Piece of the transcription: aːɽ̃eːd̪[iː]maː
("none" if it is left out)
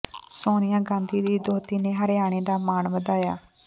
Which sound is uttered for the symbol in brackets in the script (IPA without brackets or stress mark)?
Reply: aː